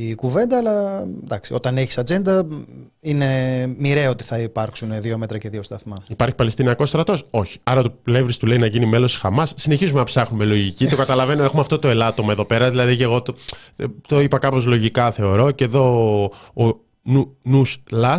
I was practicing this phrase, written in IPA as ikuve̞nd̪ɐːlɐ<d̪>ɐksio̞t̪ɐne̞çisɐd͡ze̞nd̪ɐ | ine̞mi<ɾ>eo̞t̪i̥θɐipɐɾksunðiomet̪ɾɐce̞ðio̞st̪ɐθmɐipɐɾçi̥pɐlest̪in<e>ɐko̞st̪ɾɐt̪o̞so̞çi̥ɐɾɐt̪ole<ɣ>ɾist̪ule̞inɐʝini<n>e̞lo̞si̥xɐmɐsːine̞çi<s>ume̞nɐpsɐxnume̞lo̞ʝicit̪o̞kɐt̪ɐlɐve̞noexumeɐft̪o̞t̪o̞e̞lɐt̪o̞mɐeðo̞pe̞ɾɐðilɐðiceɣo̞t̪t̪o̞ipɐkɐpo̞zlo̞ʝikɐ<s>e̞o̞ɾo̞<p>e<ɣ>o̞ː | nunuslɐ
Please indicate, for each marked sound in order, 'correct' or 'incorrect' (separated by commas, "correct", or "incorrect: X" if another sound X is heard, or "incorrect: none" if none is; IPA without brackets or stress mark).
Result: correct, correct, incorrect: i, incorrect: v, incorrect: m, incorrect: z, incorrect: θ, incorrect: c, incorrect: ð